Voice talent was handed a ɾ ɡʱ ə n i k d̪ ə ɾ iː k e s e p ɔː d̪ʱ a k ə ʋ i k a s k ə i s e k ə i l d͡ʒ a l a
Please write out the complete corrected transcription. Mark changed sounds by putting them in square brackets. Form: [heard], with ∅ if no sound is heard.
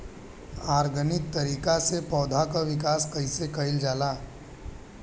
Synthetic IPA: a ɾ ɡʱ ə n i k [t̪] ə ɾ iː k [a] s e p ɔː d̪ʱ a k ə ʋ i k a s k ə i s e k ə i l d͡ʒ a l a